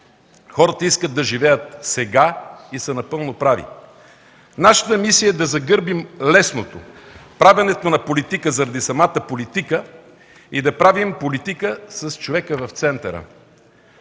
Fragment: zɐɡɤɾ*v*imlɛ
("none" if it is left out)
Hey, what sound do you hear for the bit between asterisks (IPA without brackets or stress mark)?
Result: b